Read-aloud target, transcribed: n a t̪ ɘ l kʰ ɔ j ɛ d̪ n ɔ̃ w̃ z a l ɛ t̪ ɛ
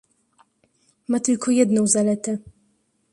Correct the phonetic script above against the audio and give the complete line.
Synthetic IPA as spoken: m a t̪ ɘ l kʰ ɔ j ɛ d̪ n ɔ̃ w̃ z a l ɛ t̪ ɛ